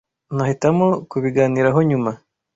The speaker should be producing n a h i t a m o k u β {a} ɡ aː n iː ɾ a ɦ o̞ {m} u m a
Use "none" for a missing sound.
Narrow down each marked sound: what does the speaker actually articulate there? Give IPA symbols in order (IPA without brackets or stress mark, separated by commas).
i, ɲ